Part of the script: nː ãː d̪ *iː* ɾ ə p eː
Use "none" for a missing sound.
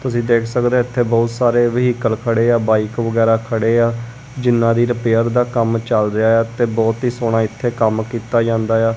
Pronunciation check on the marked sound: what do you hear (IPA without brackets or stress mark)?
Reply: iː